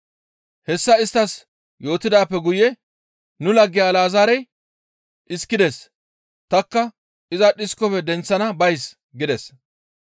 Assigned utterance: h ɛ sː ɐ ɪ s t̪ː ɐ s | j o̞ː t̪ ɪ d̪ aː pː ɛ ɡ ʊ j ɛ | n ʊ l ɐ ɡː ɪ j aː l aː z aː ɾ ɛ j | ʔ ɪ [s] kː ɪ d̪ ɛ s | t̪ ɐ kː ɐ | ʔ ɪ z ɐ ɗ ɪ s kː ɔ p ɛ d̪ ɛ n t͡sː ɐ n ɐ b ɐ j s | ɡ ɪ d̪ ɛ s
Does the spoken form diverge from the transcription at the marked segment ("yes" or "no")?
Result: no